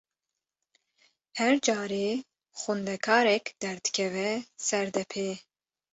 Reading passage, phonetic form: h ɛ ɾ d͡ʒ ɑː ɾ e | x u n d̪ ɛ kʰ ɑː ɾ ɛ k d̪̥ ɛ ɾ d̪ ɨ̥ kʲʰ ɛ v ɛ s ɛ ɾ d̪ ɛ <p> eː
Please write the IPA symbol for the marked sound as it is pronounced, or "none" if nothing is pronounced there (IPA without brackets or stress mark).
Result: pʰ